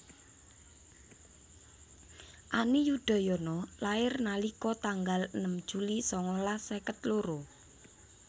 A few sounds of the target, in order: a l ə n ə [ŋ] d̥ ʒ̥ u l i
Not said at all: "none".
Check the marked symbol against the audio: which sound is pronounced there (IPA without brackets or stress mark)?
m